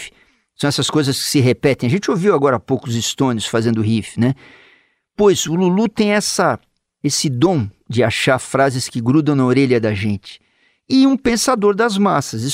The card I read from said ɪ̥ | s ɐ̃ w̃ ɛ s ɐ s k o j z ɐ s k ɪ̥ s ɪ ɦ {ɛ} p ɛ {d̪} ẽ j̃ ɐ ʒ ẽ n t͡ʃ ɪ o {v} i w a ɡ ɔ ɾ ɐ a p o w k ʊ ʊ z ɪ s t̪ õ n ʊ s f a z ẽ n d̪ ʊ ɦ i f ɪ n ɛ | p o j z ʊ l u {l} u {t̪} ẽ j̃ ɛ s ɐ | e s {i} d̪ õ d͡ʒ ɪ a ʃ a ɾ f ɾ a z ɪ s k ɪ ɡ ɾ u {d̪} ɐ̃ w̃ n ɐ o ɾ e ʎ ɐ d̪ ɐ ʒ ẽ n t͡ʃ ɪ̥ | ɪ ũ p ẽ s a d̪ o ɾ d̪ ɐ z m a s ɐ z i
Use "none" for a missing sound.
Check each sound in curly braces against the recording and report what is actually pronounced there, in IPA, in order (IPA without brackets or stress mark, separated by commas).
e, t̪, v, l, t̪, ɪ, d̪